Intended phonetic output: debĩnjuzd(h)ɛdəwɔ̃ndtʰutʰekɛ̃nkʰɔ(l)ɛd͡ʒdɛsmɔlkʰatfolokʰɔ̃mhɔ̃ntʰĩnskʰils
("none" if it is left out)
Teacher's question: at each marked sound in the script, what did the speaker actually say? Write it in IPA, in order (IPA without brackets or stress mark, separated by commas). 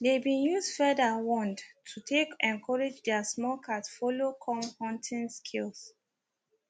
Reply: f, ɹ